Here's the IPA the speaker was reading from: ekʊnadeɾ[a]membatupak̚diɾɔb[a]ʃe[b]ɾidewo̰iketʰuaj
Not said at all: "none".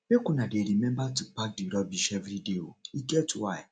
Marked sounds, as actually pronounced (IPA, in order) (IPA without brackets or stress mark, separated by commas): i, i, v